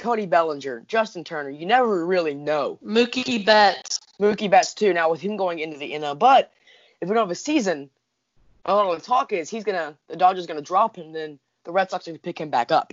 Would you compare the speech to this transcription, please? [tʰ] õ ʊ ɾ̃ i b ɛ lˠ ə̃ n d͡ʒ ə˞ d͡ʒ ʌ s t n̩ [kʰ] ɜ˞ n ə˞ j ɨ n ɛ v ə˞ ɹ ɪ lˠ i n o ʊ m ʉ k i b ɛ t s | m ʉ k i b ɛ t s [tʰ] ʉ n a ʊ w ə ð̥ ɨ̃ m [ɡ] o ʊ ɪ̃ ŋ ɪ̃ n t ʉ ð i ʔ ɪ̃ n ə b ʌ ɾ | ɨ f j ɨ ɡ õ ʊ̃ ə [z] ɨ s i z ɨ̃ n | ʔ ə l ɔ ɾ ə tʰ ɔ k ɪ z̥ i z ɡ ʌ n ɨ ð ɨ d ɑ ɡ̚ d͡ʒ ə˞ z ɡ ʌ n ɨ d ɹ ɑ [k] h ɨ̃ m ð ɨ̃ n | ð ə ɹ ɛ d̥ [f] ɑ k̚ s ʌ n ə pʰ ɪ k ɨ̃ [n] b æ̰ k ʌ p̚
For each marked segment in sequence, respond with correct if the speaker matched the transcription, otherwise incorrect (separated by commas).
incorrect, incorrect, correct, correct, incorrect, incorrect, incorrect, incorrect